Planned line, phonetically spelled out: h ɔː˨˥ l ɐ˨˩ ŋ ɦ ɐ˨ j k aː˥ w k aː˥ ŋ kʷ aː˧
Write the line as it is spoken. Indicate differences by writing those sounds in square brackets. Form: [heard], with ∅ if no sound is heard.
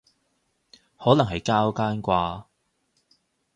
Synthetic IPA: h ɔː˨˥ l ɐ˨˩ ŋ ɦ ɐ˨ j k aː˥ w k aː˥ [n] kʷ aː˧

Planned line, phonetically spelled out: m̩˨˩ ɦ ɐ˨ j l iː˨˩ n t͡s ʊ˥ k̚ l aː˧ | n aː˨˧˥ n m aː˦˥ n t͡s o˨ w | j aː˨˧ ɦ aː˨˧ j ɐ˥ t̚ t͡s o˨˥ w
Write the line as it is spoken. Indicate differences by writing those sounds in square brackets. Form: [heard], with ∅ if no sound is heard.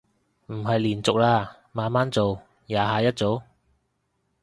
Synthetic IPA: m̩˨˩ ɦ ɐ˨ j l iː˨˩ n t͡s [ʊ˨] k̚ l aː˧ | [m] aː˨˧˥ n m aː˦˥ n t͡s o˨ w | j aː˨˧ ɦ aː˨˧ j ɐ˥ t̚ t͡s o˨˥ w

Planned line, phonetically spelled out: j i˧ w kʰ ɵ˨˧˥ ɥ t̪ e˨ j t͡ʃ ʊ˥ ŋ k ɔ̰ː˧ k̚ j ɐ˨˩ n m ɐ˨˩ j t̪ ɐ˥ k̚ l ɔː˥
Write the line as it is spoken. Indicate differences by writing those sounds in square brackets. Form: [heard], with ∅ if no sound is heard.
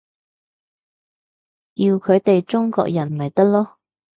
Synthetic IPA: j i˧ w kʰ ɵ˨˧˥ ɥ t̪ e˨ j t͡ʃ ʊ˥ ŋ k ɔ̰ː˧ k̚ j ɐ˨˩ n m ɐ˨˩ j t̪ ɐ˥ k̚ l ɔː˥

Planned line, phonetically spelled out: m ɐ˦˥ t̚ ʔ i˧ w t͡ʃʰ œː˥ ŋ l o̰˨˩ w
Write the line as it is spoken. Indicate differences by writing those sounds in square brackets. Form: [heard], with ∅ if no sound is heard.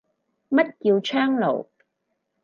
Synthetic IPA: m ɐ˦˥ t̚ [k] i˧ w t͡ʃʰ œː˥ ŋ l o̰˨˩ w

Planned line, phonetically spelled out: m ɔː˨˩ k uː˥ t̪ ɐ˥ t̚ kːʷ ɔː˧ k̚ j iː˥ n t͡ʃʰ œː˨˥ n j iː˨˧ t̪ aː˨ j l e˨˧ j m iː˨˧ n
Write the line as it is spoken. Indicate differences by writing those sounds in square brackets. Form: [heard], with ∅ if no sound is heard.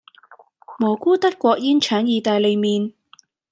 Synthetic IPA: m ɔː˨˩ k uː˥ t̪ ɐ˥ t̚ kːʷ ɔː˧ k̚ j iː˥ n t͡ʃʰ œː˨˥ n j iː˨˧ t̪ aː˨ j l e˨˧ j m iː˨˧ n

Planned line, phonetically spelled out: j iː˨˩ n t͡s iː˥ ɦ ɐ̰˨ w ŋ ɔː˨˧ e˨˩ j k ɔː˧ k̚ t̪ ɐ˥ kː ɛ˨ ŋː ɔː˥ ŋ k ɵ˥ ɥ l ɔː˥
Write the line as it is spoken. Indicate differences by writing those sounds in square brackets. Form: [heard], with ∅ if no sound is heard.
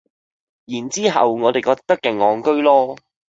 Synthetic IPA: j iː˨˩ n t͡s iː˥ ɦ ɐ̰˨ w ŋ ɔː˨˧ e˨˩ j k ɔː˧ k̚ t̪ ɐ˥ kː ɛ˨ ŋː [ɔː˨˧] ŋ k ɵ˥ ɥ l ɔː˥

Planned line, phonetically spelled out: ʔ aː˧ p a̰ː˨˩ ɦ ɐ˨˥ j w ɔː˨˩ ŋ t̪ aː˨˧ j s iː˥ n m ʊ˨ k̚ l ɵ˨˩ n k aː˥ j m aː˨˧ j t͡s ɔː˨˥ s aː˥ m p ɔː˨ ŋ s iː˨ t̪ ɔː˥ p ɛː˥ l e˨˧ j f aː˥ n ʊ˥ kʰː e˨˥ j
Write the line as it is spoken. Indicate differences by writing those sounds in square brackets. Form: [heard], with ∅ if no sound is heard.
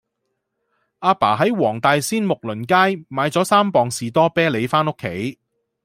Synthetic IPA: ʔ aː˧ p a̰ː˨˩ ɦ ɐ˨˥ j w ɔː˨˩ ŋ t̪ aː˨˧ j s iː˥ n m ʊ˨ k̚ l ɵ˨˩ n k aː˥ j m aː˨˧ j t͡s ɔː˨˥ s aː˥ m p ɔː˨ ŋ s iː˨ t̪ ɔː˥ p ɛː˥ l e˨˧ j f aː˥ n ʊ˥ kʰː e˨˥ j

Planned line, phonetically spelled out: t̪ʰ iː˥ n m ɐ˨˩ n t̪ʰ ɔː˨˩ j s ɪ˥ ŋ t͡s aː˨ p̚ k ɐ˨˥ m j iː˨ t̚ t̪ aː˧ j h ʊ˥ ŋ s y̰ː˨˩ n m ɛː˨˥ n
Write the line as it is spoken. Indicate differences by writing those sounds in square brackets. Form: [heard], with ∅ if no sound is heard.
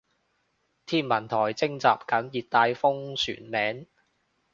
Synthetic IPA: t̪ʰ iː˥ n m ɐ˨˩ n t̪ʰ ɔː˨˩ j [t͡s] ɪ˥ ŋ t͡s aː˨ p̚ k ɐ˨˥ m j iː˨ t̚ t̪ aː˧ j [f] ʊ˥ ŋ s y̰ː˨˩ n m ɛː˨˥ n

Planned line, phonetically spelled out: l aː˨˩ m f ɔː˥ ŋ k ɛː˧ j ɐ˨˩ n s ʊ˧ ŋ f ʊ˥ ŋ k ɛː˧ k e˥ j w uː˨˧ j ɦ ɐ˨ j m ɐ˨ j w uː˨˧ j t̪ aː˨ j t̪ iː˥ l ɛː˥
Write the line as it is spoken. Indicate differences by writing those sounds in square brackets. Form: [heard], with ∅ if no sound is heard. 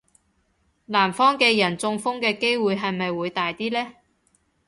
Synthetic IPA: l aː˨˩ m f ɔː˥ ŋ k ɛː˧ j ɐ˨˩ n [t͡s] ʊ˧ ŋ f ʊ˥ ŋ k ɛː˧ k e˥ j w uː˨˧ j ɦ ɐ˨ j m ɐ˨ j w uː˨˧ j t̪ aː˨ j t̪ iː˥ l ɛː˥

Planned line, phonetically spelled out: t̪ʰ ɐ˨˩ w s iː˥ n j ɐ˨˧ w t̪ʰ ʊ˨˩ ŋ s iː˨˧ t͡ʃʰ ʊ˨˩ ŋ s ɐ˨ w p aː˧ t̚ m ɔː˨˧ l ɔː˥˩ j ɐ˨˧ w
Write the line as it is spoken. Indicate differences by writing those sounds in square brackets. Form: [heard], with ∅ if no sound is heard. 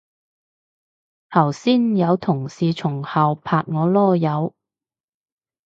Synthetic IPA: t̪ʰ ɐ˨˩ w s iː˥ n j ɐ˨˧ w t̪ʰ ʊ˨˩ ŋ s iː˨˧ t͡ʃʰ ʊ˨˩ ŋ [h] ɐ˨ w [pʰ] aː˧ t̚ [ŋ] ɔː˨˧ l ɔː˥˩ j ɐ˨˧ w

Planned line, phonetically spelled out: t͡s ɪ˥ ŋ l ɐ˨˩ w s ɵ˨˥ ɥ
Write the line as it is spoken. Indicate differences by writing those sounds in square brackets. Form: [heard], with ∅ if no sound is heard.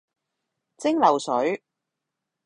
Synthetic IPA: t͡s ɪ˥ ŋ l ɐ˨˩ w s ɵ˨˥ ɥ

